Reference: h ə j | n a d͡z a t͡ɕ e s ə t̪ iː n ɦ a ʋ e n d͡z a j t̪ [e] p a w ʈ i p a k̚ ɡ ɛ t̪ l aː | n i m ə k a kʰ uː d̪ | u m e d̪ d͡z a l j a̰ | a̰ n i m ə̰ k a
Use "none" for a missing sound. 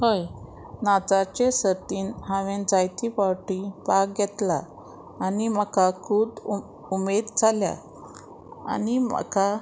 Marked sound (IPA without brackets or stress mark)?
i